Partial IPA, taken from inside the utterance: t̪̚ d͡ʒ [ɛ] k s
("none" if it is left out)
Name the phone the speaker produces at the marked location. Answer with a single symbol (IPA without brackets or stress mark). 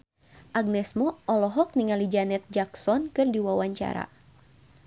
a